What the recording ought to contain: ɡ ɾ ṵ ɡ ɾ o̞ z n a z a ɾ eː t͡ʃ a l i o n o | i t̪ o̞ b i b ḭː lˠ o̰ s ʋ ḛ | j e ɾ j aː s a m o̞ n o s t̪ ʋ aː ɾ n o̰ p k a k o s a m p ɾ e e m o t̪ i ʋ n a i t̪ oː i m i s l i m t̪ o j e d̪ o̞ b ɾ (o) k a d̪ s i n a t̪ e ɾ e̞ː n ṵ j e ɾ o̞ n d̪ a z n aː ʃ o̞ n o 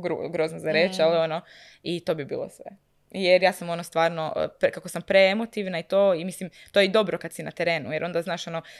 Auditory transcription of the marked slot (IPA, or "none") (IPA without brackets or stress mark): o